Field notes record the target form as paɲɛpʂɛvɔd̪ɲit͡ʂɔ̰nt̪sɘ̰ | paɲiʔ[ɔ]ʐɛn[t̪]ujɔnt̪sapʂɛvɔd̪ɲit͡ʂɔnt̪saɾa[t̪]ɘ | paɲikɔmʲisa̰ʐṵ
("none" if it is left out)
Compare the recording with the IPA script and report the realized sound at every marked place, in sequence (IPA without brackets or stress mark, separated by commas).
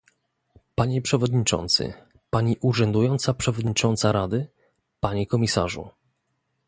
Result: u, d̪, d̪